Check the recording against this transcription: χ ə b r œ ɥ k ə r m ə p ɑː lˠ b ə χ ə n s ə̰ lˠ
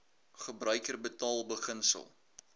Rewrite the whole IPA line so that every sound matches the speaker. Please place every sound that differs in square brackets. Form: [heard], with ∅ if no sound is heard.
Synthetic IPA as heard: χ ə b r œ ɥ k ə r [b] ə [t] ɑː lˠ b ə χ ə n s ə̰ lˠ